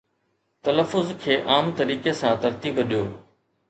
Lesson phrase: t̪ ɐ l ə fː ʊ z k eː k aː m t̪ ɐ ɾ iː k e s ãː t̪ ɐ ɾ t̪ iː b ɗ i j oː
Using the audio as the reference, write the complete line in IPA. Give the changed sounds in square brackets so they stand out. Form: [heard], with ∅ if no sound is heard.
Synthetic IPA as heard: t̪ ɐ l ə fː ʊ z [kʰ] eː [ʔ] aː m t̪ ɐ ɾ iː k e s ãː t̪ ɐ ɾ t̪ iː b ɗ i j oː